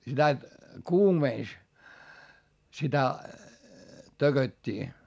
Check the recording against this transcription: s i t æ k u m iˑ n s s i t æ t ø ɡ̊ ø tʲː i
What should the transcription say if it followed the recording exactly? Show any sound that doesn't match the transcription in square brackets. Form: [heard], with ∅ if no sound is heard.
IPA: s i t æ k [uː] m [eˑ] n s s i t æ t ø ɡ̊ ø tʲː [iː]